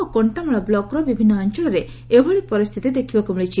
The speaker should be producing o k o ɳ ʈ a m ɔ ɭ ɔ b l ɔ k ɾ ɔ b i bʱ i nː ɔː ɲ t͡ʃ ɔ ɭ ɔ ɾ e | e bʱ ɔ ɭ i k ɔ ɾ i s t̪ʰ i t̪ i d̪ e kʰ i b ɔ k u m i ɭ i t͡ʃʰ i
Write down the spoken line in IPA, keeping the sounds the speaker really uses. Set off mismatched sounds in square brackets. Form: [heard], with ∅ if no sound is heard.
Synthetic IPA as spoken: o k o ɳ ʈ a m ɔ ɭ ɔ b l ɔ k ɾ ɔ b i bʱ i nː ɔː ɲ t͡ʃ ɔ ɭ ɔ ɾ e | e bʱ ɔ ɭ i [p] ɔ ɾ i s t̪ʰ i t̪ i d̪ e kʰ i b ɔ k u m i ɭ i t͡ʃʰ i